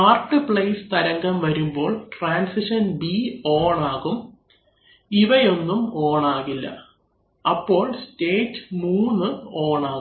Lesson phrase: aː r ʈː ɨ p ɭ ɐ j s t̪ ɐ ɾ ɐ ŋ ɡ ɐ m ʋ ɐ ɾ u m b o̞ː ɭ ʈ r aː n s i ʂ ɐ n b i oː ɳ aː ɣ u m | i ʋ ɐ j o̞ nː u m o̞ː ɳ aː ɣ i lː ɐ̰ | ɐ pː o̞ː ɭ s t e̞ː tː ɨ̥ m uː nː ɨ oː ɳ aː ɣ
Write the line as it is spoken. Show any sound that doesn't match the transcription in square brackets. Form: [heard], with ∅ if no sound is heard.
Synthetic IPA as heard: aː r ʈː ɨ p ɭ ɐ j s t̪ ɐ ɾ ɐ ŋ ɡ ɐ m ʋ ɐ ɾ u m b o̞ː ɭ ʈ r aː n s i ʂ ɐ n b i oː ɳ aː ɣ u m | i ʋ ɐ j o̞ nː u m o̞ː ɳ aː ɣ i lː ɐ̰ | ɐ pː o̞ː ɭ s t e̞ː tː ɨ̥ m uː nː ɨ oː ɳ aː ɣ